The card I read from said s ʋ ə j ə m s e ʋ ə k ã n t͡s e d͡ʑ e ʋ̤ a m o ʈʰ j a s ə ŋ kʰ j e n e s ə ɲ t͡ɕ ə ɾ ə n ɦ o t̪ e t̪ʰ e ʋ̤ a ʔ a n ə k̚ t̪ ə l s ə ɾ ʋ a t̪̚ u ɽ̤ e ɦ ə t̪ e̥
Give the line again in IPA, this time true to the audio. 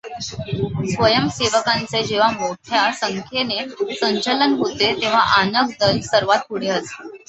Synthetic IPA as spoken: s ʋ ə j ə m s e ʋ ə k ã n t͡s e d͡ʑ e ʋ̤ a m o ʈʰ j a s ə ŋ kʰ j e n e s ə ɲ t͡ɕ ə l ə n ɦ o t̪ e t̪ e ʋ̤ a ʔ a n ə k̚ d̪ ə l s ə ɾ ʋ a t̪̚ u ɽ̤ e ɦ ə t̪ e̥